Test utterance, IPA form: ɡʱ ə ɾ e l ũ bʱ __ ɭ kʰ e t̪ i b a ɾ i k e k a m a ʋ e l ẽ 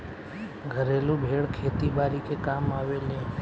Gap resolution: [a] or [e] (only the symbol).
e